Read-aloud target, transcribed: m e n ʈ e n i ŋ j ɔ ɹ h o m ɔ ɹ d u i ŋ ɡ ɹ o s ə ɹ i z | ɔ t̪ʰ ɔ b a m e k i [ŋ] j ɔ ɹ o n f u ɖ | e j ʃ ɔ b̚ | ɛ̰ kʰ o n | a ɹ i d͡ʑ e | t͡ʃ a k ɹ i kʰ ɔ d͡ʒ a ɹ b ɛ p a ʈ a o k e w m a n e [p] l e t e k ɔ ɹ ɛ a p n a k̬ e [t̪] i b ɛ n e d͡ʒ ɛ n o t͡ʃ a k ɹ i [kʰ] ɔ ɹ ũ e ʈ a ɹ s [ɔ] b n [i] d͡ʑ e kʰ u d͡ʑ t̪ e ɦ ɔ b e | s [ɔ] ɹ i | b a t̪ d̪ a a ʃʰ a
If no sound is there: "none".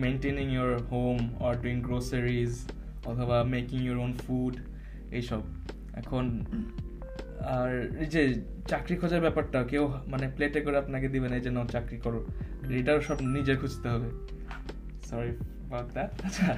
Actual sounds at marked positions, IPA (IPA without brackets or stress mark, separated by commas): ŋ, p, d̪, k, ɔ, i, ɔ